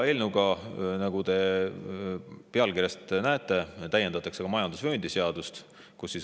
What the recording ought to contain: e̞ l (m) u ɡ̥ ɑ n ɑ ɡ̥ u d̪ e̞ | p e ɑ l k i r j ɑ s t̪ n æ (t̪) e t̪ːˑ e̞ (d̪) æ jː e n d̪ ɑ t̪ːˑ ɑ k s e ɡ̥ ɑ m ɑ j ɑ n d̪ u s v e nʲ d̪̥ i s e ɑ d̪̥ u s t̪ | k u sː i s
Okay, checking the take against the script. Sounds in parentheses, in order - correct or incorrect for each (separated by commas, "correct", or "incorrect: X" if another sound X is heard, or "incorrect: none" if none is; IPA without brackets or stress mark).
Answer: incorrect: n, incorrect: none, incorrect: t̪